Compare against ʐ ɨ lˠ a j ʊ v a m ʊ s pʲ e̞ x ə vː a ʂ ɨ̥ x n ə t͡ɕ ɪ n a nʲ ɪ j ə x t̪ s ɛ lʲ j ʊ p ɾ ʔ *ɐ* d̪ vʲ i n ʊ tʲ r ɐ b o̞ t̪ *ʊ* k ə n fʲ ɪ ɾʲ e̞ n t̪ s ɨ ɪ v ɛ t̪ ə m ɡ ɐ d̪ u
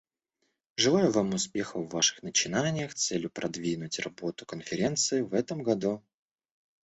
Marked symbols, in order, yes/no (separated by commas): yes, yes